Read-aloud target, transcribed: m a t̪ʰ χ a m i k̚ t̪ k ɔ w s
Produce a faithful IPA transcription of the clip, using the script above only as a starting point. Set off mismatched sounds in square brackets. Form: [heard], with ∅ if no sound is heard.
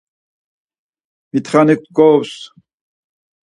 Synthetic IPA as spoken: m [i] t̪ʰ χ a [n] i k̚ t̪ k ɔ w s